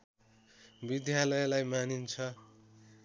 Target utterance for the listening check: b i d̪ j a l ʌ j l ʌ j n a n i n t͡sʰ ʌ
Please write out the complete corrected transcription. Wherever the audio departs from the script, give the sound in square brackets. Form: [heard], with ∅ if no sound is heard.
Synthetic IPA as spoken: b i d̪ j a l ʌ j l [a] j [m] a n i n t͡sʰ ʌ